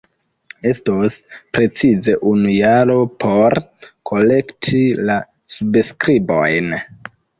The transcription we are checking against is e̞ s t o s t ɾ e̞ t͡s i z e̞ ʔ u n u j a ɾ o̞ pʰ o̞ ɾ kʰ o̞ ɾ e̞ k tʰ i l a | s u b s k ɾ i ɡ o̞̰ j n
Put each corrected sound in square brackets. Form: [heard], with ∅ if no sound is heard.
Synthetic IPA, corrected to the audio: e̞ s t o s [p] ɾ e̞ t͡s i z e̞ ʔ u n u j a ɾ o̞ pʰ o̞ ɾ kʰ o̞ [l] e̞ k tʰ i l a | s u b s k ɾ i [b] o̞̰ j n

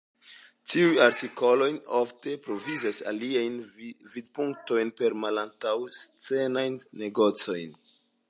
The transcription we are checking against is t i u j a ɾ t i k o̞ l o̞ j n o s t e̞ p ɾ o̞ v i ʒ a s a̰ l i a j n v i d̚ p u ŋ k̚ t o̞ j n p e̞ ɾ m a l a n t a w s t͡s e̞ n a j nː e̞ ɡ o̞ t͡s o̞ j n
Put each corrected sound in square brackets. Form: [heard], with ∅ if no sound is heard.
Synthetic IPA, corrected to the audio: t i u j a ɾ t i k o̞ l o̞ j n o [f] t e̞ p ɾ o̞ v i [z] a s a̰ l i a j n v i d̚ p u ŋ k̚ t o̞ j n p e̞ ɾ m a l a n t a w s t͡s e̞ n a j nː e̞ ɡ o̞ t͡s o̞ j n

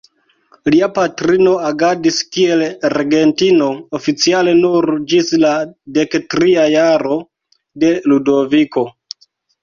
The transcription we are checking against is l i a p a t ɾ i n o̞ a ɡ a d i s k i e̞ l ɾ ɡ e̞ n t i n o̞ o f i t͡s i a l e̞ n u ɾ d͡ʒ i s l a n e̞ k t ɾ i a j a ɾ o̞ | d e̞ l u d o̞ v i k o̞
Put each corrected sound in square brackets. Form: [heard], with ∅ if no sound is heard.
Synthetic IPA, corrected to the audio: l i a p a t ɾ i n o̞ a ɡ a d i s k i e̞ l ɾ ɡ e̞ n t i n o̞ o f i t͡s i a l e̞ n u ɾ d͡ʒ i s l a [d] e̞ k t ɾ i a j a ɾ o̞ | d e̞ l u d o̞ v i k o̞

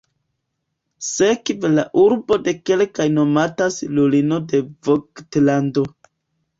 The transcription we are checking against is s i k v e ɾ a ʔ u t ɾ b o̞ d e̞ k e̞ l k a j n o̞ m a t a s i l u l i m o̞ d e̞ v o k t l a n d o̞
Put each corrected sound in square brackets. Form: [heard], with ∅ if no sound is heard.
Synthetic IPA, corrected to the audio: s [e] k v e [l] a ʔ u [∅] ɾ b o̞ d e̞ k e̞ l k a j n o̞ m a t a s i l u l i [n] o̞ d e̞ v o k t l a n d o̞

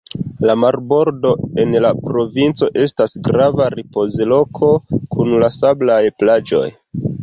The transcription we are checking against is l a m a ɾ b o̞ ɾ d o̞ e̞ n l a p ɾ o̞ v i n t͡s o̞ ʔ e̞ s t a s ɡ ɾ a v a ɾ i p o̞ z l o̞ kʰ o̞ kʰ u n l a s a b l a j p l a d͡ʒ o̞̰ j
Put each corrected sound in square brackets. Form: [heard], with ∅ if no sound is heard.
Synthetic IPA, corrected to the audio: l a m a ɾ b o̞ ɾ d o̞ e̞ n l a p ɾ o̞ v i n t͡s o̞ ʔ e̞ s t a s ɡ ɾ a v a ɾ i p o̞ z l o̞ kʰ o̞ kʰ u n l a s a b l a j p l a d͡ʒ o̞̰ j

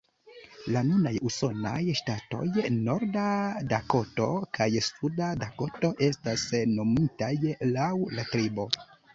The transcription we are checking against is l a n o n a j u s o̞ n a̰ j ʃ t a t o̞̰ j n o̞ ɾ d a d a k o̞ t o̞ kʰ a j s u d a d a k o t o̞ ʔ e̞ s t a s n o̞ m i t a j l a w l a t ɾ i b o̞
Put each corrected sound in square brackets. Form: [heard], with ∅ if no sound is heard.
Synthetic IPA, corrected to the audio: l a n [u] n a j u s o̞ n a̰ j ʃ t a t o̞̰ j n o̞ ɾ d a d a k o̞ t o̞ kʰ a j s u d a d a k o t o̞ ʔ e̞ s t a s n o̞ m i t a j l a w l a t ɾ i b o̞

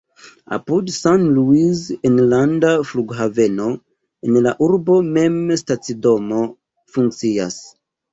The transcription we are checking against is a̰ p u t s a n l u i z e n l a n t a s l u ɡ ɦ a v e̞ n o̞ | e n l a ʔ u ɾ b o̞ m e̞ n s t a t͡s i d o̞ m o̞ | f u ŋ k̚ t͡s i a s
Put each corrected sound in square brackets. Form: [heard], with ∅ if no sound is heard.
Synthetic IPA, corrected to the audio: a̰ p u [d] s a n l u i z e n l a n [d] a [f] l u ɡ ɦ a v e̞ n o̞ | e n l a ʔ u ɾ b o̞ m e̞ [m] s t a t͡s i d o̞ m o̞ | f u ŋ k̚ t͡s i a s

